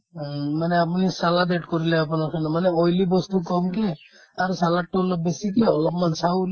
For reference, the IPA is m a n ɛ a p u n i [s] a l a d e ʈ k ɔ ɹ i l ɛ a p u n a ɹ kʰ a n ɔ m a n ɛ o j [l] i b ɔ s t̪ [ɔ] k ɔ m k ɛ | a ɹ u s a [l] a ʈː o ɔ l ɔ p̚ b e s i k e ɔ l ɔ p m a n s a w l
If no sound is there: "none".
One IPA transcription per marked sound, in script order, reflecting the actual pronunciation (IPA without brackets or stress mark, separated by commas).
s, l, u, l